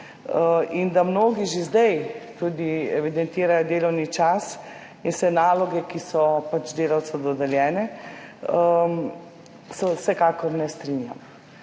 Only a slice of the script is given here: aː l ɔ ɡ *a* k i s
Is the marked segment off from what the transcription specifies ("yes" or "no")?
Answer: yes